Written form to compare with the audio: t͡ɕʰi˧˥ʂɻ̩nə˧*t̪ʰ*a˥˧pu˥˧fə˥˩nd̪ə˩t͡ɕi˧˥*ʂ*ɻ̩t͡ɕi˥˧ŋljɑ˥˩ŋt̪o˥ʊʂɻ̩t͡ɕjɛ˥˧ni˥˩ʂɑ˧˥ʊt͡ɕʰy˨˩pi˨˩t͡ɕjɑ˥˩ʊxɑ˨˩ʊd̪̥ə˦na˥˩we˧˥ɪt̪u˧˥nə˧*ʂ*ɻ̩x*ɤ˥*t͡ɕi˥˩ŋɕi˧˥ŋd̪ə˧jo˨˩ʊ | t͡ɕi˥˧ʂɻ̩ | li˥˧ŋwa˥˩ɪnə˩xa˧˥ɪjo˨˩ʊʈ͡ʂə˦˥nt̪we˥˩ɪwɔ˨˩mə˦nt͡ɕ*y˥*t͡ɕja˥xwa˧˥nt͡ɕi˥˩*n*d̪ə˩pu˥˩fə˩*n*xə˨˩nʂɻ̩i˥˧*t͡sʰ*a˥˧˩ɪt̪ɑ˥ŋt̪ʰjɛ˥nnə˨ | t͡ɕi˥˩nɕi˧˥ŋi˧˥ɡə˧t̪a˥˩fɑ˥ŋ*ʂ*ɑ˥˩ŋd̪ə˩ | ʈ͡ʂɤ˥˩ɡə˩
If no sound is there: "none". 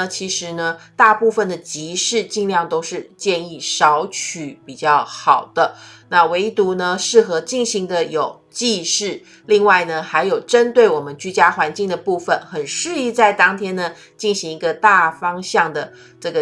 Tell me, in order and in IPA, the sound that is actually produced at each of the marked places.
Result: t̪, ʂ, ʂ, ɤ˧˥, y˥, ŋ, n, t͡s, ɕ

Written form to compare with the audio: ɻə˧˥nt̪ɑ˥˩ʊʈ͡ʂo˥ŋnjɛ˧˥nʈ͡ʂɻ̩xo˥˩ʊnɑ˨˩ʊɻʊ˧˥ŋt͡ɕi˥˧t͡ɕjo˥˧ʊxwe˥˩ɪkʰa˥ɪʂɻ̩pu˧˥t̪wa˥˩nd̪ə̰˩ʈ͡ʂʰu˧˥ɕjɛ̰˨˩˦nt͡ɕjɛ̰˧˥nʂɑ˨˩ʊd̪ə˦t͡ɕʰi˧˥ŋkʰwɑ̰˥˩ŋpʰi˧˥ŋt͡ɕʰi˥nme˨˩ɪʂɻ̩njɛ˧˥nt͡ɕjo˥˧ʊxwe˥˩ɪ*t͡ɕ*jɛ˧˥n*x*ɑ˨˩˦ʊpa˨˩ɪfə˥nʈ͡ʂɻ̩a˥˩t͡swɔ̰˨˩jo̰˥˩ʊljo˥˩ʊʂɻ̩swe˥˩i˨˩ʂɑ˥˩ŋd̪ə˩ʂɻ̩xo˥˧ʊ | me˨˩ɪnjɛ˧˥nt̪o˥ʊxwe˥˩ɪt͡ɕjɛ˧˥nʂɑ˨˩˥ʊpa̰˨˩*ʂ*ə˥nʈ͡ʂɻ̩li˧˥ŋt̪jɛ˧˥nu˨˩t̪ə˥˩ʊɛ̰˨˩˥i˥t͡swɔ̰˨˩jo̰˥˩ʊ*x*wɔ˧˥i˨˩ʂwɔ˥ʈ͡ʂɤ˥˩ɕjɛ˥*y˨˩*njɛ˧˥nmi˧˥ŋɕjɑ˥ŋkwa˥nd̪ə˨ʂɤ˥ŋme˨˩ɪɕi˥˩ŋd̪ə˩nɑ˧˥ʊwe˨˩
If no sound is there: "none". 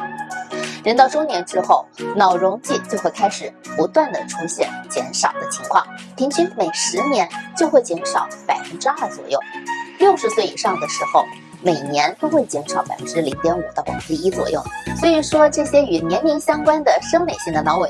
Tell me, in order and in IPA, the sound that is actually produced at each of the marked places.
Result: t͡ɕ, ʂ, f, s, y˨˩

